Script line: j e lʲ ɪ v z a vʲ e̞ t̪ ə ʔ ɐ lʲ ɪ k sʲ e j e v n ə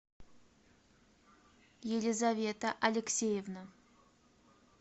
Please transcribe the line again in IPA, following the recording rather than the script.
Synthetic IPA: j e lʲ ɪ z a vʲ e̞ t̪ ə ʔ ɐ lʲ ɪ k sʲ e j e v n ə